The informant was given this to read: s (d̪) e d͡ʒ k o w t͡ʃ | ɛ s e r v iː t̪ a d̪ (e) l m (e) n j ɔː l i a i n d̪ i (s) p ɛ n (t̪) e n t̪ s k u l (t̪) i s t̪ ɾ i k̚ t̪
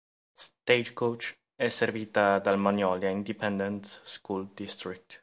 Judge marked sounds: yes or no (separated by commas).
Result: no, no, no, no, no, no